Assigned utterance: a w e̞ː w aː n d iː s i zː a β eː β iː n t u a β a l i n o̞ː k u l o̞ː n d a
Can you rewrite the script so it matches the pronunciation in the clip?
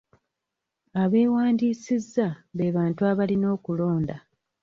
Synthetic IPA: a β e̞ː w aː n d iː s i zː a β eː β aː n t u a β a l i n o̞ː k u l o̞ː n d a